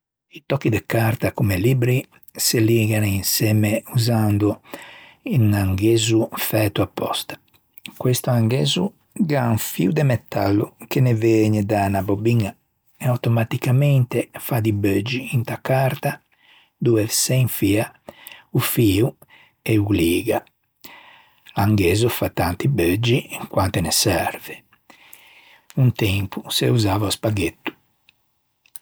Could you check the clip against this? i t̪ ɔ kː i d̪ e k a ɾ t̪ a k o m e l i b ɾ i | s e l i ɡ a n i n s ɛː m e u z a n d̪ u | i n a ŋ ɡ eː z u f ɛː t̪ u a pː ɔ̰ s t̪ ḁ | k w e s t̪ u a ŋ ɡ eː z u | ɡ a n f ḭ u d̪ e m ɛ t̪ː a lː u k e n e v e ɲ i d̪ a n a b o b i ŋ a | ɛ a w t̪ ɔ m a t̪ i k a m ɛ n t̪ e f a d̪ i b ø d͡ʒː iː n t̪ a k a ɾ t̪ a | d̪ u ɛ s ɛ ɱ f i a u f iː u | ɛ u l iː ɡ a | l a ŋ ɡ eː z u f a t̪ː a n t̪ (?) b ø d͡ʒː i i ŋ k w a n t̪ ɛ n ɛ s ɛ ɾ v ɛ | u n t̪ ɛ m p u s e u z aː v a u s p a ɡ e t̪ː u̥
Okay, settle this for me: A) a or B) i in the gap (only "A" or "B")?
B